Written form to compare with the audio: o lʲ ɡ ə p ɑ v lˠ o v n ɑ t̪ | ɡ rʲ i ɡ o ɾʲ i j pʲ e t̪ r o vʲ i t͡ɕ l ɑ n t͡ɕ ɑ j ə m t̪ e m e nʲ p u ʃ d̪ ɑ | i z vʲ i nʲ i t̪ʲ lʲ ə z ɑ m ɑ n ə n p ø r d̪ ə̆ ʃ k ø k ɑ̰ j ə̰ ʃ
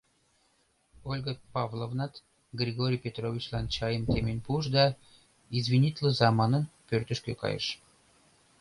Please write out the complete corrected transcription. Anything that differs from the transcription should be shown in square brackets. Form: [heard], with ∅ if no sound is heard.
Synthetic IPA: o lʲ ɡ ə p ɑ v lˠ o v n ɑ t̪ | ɡ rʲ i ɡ o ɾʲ i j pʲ e t̪ r o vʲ i t͡ɕ l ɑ n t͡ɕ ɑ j ə m t̪ e m e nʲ p u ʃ d̪ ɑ | i z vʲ i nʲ i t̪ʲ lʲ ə z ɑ m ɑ n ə n p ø r [t̪] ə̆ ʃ k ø k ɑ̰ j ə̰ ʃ